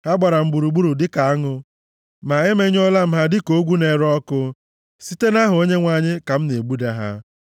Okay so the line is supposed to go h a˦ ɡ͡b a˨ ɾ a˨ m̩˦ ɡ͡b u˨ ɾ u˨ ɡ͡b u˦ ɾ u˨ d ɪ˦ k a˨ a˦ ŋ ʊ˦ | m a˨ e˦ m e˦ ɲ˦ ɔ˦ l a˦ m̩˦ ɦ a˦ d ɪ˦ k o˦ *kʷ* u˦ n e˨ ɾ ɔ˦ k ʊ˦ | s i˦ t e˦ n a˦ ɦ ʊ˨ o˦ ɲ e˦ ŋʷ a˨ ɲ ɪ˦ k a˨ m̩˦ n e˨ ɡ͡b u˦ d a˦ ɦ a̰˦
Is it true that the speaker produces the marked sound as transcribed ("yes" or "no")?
no